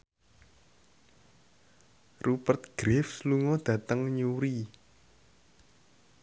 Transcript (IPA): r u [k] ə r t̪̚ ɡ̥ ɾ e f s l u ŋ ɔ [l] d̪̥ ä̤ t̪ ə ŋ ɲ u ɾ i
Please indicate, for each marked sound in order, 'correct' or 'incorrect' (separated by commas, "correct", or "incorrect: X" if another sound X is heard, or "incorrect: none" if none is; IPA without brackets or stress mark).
incorrect: p, incorrect: none